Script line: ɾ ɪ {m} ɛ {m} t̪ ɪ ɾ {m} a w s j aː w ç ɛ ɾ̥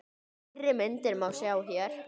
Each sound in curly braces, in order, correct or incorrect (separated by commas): correct, incorrect, correct